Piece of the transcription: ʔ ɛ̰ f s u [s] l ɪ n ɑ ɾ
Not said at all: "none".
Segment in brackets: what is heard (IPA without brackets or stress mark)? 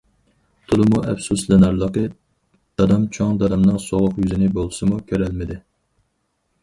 s